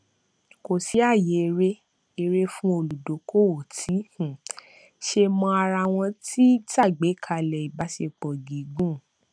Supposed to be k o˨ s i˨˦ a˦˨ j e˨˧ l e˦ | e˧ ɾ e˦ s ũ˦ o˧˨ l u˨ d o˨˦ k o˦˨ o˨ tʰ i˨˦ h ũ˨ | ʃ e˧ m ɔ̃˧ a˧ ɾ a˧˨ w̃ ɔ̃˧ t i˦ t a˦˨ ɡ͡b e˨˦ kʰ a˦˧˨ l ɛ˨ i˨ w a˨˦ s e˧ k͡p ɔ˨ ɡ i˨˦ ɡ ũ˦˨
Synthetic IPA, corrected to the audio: k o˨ s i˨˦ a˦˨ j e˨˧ ɾ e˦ | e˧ ɾ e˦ f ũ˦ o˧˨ l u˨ d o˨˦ k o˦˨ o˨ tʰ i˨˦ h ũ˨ | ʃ e˧ m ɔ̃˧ a˧ ɾ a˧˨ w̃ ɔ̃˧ t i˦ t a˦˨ ɡ͡b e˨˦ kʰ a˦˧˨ l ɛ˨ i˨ b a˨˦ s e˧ k͡p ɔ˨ ɡ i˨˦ ɡ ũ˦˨